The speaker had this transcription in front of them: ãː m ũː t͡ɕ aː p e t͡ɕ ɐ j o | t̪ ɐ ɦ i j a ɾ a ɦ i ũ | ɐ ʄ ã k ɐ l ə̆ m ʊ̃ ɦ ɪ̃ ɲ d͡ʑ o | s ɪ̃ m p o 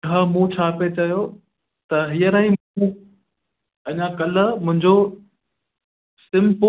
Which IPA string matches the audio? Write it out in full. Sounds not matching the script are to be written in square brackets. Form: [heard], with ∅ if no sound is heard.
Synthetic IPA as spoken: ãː m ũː [t͡ɕʰ] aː p e t͡ɕ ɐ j o | t̪ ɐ ɦ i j [ə] ɾ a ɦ i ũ | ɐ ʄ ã k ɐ l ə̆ m ʊ̃ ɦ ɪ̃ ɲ d͡ʑ o | s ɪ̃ m p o